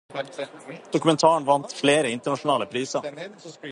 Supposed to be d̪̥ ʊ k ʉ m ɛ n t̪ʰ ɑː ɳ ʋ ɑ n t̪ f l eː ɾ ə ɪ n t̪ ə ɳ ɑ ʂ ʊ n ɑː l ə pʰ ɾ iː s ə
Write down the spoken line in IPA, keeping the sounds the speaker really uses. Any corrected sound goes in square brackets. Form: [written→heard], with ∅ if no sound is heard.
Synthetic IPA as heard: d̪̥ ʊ k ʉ m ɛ n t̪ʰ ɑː ɳ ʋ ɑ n t̪ f l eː ɾ ə ɪ n t̪ ə ɳ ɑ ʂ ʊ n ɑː l ə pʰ ɾ iː s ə